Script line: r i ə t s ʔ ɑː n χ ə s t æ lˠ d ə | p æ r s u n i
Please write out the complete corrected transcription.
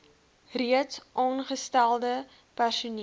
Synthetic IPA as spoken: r i ə t s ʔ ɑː n χ ə s t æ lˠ d ə | p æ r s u n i